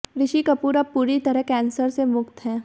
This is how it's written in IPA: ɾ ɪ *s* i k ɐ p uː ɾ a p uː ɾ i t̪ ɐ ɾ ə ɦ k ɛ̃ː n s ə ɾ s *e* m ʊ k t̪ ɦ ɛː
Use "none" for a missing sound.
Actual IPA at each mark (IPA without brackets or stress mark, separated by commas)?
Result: ʃ, e